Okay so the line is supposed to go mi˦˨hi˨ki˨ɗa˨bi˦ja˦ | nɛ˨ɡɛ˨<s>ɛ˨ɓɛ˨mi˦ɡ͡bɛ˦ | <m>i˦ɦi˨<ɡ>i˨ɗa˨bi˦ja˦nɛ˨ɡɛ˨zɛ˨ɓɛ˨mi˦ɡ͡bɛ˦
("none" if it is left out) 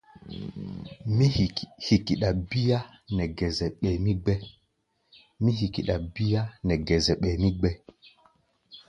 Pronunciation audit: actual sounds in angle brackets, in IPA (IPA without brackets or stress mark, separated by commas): z, m, k